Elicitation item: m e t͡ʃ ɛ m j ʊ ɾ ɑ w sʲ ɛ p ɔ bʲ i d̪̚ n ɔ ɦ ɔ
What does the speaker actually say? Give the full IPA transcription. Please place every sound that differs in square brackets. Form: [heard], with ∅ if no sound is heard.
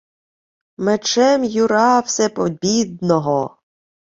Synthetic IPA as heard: m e t͡ʃ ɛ m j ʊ ɾ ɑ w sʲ ɛ p ɔ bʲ i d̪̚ n ɔ ɦ ɔ